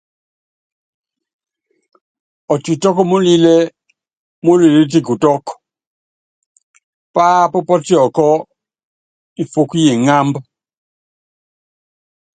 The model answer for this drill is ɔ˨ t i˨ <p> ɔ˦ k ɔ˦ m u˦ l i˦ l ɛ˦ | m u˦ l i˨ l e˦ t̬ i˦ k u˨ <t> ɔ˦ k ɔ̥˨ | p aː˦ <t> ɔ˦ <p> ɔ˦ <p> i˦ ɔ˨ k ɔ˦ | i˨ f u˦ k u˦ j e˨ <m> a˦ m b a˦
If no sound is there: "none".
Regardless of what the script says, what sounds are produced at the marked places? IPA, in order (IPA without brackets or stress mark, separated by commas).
t, t, p, p, t, ŋ